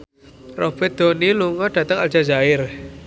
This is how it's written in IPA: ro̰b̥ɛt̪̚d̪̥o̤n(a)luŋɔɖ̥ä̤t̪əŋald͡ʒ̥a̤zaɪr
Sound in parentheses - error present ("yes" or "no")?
yes